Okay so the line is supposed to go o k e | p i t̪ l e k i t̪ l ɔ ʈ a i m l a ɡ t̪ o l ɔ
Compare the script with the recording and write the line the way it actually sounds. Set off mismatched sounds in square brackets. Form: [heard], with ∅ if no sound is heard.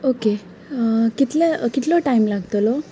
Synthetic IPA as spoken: o k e | [k] i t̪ l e k i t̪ l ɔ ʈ a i m l a ɡ t̪ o l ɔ